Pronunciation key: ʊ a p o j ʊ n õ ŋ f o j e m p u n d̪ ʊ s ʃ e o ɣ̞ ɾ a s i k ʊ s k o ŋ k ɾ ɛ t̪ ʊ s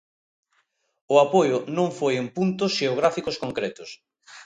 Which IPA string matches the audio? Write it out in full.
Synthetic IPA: ʊ a p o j ʊ n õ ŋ f o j e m p u n t̪ ʊ s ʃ e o ɣ̞ ɾ a f i k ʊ s k o ŋ k ɾ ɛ t̪ ʊ s